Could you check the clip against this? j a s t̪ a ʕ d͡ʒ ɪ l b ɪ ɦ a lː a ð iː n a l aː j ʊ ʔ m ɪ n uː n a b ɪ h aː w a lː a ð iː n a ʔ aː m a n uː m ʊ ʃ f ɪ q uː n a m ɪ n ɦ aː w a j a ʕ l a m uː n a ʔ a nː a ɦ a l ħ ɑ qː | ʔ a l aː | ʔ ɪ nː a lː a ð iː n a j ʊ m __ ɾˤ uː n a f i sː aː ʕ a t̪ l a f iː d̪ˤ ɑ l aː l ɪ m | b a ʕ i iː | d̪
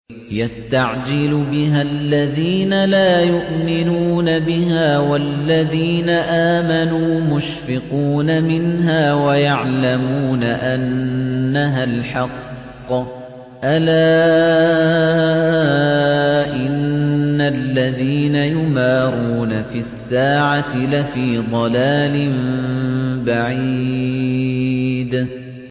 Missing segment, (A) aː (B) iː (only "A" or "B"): A